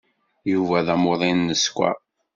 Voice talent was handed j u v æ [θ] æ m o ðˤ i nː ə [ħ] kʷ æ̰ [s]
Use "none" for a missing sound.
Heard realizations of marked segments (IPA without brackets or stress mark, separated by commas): ð, s, none